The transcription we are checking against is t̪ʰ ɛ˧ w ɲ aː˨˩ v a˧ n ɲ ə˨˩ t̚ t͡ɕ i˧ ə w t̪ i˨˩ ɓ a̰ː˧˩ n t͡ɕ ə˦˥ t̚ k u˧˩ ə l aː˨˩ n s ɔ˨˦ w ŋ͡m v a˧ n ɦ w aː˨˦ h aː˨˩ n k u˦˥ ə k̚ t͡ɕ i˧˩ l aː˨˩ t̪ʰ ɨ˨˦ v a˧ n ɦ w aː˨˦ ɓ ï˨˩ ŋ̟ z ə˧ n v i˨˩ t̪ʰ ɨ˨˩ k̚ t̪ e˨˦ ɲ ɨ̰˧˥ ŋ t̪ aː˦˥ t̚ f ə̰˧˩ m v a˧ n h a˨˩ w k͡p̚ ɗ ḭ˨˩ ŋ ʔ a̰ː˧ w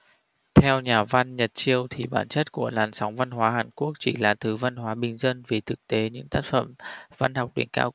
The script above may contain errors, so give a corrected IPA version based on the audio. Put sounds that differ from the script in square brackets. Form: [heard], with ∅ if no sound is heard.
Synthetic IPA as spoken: t̪ʰ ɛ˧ w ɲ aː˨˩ v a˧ n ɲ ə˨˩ t̚ t͡ɕ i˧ ə w [t̪ʰ] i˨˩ ɓ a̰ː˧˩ n t͡ɕ ə˦˥ t̚ k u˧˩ ə l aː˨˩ n s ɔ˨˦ w ŋ͡m v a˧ n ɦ w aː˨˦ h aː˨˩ n k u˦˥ ə k̚ t͡ɕ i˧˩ l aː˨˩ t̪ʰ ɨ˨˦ v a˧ n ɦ w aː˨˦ ɓ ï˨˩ ŋ̟ z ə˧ n v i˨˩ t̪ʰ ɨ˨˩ k̚ t̪ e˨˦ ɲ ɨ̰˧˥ ŋ t̪ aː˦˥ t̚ f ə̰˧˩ m v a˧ n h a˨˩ w k͡p̚ ɗ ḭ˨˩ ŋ [k] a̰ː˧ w